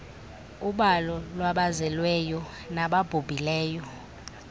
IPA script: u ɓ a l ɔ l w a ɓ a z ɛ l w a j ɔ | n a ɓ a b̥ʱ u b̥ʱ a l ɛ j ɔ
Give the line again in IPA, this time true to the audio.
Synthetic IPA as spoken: u ɓ a l ɔ l w a ɓ a z ɛ l w ɛ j ɔ | n a ɓ a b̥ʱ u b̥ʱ i l ɛː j ɔ